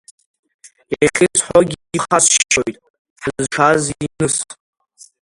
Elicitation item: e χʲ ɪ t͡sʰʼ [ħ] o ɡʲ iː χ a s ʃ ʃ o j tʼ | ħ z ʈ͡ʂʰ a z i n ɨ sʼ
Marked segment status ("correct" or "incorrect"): correct